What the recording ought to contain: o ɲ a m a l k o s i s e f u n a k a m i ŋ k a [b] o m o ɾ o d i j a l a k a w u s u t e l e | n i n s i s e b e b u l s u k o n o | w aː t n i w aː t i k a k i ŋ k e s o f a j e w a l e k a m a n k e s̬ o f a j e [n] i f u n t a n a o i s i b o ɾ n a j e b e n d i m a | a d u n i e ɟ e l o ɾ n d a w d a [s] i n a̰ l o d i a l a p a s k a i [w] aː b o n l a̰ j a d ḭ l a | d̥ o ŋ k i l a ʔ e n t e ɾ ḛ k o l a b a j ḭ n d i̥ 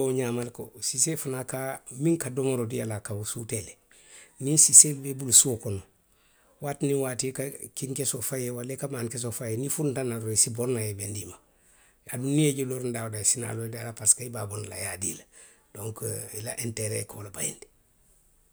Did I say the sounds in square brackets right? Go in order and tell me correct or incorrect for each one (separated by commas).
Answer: incorrect, correct, correct, incorrect